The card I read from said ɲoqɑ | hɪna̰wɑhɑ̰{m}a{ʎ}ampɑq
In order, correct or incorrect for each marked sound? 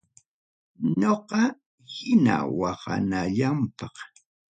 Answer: incorrect: n, correct

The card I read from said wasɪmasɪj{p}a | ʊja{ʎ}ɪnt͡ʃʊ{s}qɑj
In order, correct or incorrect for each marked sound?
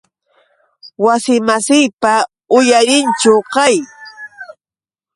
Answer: correct, incorrect: ɾ, incorrect: none

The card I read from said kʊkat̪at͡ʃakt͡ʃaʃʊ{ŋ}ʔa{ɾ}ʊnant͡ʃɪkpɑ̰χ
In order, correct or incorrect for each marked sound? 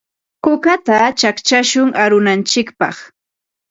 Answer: correct, correct

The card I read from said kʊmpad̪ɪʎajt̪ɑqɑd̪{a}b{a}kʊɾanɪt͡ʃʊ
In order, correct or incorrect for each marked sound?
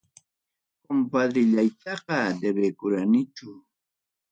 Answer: incorrect: e, incorrect: e

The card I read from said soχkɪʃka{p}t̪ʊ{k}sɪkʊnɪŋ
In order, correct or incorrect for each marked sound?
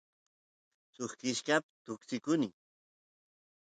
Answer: correct, correct

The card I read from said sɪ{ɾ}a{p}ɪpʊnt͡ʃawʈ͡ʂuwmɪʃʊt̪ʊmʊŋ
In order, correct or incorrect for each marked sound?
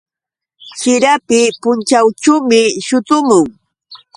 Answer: correct, correct

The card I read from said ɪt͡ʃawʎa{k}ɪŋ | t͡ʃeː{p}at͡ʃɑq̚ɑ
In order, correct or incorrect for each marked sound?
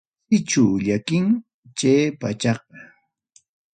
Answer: correct, correct

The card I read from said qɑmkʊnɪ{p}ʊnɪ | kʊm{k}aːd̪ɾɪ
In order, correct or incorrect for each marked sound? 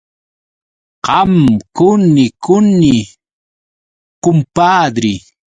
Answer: incorrect: k, incorrect: p

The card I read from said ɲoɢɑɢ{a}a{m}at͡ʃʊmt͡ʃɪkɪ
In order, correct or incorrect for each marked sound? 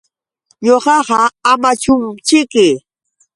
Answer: incorrect: ɑ, correct

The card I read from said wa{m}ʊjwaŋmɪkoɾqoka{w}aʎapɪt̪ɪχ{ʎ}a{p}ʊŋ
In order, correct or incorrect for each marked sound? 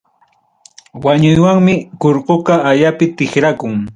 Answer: incorrect: ɲ, incorrect: none, incorrect: ɾ, incorrect: k

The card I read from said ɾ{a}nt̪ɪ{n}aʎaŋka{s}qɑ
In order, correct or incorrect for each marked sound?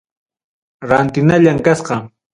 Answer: correct, correct, correct

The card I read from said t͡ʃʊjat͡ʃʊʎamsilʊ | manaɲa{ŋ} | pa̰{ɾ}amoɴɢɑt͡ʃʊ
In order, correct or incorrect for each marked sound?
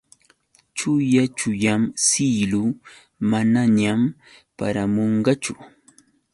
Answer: incorrect: m, correct

